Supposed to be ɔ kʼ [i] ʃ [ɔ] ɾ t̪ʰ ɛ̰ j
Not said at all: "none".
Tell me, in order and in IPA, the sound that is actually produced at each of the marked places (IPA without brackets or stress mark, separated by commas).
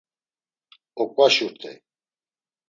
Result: a, u